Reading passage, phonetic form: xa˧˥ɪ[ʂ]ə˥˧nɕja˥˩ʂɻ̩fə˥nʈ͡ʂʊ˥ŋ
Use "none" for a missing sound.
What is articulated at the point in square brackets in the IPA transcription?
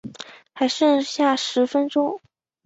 ʂ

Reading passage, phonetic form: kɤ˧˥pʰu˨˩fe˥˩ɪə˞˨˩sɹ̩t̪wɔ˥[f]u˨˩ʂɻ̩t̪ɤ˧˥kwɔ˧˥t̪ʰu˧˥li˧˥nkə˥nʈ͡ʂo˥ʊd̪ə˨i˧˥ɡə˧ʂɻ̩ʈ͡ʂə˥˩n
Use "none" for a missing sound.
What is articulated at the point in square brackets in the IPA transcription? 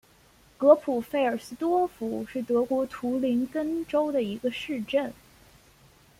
f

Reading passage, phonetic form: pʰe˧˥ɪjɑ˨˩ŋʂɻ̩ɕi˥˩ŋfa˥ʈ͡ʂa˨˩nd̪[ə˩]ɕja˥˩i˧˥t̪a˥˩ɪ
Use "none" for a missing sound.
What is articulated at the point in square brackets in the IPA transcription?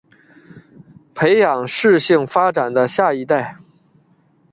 ə˦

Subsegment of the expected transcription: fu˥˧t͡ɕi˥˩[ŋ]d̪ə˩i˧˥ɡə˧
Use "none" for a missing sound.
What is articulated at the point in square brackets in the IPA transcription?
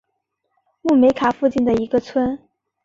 n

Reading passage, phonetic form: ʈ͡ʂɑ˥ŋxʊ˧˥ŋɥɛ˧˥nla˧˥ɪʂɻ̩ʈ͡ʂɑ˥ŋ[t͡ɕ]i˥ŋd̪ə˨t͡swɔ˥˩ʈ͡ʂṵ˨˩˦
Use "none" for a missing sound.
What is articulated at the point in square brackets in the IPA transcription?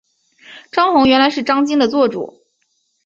t͡ɕ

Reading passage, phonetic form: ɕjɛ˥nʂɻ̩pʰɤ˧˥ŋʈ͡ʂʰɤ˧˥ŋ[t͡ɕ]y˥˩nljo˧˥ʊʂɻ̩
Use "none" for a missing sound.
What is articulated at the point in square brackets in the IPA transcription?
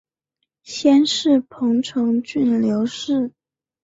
t͡ɕ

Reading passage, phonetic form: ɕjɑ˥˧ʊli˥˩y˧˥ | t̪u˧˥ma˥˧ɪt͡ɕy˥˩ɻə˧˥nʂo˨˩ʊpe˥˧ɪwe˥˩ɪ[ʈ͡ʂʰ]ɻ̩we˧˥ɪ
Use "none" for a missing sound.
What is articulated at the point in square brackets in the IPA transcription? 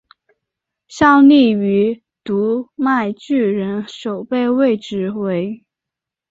ʈ͡ʂ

